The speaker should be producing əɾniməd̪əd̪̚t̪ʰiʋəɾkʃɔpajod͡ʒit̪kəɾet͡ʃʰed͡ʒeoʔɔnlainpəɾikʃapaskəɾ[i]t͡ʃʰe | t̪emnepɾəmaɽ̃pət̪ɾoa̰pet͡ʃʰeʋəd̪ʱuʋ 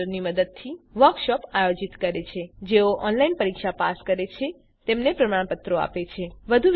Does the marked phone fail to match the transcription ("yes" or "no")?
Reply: yes